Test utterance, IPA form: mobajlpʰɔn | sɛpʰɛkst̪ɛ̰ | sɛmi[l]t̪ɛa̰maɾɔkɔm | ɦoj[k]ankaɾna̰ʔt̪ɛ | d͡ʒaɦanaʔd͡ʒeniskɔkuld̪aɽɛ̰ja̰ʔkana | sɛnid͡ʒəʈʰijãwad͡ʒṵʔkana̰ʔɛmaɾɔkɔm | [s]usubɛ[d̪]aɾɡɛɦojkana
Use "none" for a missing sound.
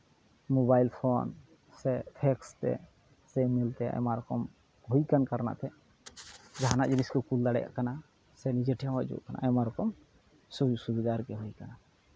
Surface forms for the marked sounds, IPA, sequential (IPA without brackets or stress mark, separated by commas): l, k, s, d̪